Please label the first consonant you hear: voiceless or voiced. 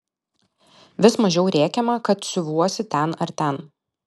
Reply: voiced